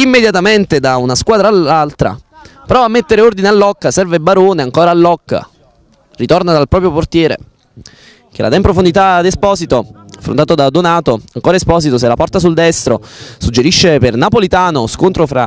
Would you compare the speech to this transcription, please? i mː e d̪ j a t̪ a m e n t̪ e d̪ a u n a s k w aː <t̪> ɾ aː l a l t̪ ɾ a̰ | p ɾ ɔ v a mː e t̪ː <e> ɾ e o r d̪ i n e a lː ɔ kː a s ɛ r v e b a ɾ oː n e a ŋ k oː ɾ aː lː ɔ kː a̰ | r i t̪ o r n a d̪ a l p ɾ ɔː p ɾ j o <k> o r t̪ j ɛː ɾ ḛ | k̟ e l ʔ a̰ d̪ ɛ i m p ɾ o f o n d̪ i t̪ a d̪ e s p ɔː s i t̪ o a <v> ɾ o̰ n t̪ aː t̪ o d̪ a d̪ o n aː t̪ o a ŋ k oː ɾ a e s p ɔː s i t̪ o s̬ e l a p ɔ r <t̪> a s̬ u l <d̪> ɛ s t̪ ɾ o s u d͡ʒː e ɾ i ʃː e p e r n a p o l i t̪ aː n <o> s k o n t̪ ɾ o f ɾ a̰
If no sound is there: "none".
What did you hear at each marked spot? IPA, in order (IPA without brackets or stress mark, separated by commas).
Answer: d̪, e, p, f, t̪, d̪, o